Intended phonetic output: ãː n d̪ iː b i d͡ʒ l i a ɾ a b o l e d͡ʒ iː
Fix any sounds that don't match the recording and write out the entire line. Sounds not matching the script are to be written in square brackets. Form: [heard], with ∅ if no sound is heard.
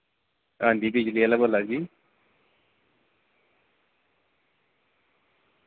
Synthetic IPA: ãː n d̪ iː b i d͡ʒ l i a [l] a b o l [a] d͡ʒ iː